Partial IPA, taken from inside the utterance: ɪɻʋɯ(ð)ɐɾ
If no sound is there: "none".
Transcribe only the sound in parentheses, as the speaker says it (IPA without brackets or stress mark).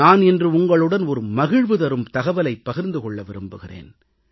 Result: ð